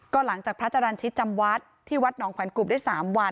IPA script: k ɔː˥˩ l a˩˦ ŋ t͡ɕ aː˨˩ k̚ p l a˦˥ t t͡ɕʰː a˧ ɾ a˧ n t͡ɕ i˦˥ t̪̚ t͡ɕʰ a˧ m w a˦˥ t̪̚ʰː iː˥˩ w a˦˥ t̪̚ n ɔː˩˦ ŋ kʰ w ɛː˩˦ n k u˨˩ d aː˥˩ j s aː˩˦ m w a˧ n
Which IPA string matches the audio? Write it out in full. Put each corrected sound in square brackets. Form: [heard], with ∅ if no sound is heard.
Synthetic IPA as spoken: k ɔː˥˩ l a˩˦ ŋ t͡ɕ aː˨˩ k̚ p [ɾ] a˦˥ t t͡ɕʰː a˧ ɾ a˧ n [t͡ɕʰ] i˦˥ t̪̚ [t͡ɕ] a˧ m w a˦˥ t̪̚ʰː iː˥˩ w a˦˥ t̪̚ n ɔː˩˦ ŋ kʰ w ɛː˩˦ n k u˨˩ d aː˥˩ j s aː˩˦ m w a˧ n